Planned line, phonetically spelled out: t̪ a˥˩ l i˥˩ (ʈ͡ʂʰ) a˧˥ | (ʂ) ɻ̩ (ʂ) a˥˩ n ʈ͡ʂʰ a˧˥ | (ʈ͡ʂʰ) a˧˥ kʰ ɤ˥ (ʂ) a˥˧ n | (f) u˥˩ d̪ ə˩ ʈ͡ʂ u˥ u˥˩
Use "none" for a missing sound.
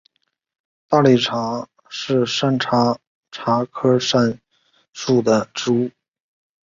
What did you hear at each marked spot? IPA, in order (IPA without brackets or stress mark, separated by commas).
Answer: ʈ͡ʂʰ, ʂ, ʂ, ʈ͡ʂʰ, ʂ, ʂ